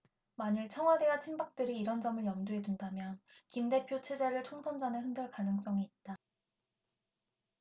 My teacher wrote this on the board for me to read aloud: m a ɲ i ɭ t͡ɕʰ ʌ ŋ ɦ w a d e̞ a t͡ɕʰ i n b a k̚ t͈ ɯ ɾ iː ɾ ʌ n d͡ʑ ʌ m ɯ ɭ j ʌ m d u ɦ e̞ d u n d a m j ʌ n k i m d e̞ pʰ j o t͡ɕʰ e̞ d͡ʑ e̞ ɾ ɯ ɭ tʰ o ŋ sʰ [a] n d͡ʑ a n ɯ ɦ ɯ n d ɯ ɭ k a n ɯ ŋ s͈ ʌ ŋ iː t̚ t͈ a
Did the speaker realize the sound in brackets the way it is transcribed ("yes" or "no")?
no